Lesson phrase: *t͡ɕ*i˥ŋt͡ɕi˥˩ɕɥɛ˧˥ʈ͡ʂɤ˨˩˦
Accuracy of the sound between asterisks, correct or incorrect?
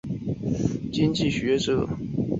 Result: correct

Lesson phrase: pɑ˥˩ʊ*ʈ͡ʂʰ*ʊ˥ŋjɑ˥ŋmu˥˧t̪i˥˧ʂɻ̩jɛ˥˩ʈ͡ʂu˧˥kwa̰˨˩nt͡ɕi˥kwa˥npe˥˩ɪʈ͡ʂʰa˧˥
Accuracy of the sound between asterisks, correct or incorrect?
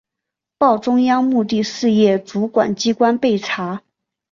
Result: incorrect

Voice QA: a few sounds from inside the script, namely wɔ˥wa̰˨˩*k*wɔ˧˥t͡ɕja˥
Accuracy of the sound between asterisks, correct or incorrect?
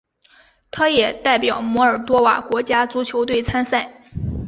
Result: correct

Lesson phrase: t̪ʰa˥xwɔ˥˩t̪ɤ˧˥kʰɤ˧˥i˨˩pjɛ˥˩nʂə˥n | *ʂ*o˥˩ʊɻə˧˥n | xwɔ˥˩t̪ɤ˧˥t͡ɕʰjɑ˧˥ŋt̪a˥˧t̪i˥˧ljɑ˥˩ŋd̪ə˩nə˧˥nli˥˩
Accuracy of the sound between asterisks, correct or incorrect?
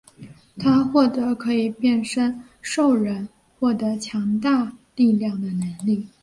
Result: correct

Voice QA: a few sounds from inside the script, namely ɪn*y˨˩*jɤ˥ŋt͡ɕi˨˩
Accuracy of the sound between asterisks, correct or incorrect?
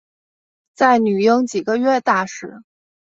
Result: correct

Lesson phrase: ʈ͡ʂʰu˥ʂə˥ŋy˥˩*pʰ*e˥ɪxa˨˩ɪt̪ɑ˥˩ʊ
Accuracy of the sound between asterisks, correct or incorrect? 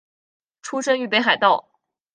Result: incorrect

